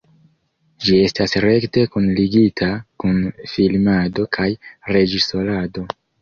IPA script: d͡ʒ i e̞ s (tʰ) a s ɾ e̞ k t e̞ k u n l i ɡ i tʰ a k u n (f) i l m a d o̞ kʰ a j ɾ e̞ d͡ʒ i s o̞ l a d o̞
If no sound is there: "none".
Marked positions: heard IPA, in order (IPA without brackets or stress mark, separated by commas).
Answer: t, f